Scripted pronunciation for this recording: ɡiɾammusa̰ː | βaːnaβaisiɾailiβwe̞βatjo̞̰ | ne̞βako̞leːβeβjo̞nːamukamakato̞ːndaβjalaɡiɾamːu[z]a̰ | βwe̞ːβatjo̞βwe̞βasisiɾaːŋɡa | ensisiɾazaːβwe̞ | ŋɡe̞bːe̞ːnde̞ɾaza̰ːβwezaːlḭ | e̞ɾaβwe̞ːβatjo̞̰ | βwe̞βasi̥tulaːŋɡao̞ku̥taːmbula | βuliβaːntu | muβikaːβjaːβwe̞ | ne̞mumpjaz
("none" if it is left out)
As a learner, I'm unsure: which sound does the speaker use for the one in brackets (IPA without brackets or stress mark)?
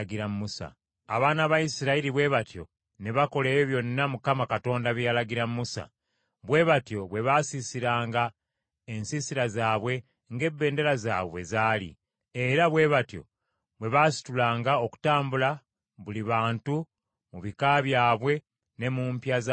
s